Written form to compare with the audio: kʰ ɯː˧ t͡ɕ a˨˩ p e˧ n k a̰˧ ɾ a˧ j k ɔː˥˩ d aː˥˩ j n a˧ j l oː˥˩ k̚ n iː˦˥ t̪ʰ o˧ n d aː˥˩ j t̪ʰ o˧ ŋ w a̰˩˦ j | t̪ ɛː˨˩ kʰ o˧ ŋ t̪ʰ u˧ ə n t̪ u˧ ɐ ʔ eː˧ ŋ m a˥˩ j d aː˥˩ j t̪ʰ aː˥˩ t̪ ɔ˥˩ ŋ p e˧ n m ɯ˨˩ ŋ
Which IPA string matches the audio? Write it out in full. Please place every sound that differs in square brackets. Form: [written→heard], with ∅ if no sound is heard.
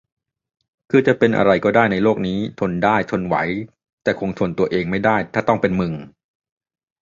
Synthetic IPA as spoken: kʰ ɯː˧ t͡ɕ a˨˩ p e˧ n [k→ʔ] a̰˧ ɾ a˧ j k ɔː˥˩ d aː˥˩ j n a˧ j l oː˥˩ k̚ n iː˦˥ t̪ʰ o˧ n d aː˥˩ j t̪ʰ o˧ [ŋ→n] w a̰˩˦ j | t̪ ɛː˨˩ kʰ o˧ ŋ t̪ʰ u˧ ə n t̪ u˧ ɐ ʔ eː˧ ŋ m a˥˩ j d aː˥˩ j t̪ʰ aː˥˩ t̪ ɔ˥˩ ŋ p e˧ n m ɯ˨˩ ŋ